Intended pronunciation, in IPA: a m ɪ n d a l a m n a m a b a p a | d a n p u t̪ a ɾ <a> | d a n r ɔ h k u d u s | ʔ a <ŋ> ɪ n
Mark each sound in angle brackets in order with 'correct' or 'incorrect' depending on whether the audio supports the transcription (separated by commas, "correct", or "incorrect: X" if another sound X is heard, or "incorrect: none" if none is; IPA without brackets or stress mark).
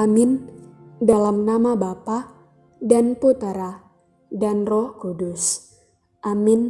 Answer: correct, incorrect: m